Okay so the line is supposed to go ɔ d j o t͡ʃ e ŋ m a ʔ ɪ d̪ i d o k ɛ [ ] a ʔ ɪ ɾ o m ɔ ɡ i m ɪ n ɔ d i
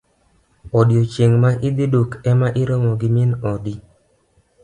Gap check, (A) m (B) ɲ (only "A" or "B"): A